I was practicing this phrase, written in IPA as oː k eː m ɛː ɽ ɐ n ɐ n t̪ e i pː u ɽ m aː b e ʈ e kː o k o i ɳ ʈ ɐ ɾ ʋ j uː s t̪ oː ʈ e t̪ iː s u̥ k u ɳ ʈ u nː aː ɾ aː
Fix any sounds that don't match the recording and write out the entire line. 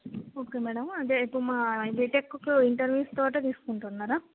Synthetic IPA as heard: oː k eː m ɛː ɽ ɐ m ɐ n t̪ e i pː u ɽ m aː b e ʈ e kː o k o i ɳ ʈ ɐ ɾ ʋ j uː s t̪ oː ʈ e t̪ iː s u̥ k u ɳ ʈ u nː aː ɾ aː